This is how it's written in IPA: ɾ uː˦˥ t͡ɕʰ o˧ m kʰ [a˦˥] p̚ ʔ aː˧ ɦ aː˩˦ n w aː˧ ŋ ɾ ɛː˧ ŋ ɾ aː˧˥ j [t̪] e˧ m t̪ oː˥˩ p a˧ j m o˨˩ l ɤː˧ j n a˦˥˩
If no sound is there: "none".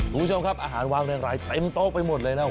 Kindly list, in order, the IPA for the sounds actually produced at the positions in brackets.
a˦˥, t̪

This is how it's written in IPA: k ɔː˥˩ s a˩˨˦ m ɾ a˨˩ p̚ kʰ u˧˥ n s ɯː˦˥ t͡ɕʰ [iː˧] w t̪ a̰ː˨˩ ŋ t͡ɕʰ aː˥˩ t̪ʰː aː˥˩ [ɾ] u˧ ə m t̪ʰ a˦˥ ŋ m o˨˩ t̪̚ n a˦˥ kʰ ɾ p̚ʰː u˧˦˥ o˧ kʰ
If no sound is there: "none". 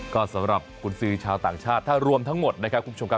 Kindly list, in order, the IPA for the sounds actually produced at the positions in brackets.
aː˧, ɾ

